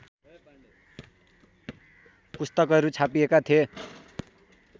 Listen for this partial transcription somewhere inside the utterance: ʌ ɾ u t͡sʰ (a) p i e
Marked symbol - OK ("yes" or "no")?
yes